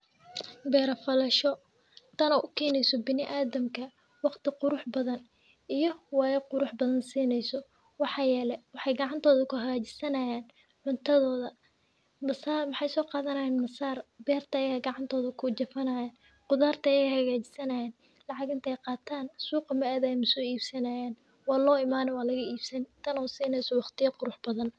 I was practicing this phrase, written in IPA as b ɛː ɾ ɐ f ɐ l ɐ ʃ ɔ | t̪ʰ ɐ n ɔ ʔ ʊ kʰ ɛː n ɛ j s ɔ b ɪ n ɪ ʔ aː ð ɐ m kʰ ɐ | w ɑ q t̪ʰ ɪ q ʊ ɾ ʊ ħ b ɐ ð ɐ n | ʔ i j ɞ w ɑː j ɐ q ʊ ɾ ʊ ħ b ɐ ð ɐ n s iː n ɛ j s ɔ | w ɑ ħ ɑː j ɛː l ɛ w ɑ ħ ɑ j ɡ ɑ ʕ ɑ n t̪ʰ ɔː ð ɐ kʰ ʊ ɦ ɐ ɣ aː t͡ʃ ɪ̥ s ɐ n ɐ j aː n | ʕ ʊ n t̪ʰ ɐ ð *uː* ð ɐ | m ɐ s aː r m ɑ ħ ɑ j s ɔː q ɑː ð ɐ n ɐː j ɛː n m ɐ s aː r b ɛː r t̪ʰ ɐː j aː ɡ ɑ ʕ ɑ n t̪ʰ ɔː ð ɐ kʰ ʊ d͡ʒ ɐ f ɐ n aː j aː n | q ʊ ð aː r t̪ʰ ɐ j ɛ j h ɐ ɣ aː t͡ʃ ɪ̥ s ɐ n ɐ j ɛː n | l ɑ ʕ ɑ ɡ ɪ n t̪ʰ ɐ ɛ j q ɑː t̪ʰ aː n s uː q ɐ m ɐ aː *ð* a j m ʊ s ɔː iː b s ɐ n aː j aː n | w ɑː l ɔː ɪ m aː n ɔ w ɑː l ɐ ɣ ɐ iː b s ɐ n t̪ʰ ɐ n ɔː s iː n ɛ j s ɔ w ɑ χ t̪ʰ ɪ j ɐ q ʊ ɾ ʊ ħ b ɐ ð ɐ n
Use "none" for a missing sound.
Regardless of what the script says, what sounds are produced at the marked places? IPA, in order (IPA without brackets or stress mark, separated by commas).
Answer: ɔː, ð